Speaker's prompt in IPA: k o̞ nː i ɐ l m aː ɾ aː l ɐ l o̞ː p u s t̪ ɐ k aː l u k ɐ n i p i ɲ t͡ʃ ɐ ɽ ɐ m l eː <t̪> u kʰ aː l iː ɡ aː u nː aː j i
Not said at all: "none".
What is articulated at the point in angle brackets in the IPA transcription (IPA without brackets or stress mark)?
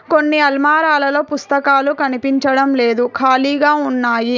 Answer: d̪